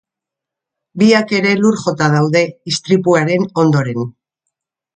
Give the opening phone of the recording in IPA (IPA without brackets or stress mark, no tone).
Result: b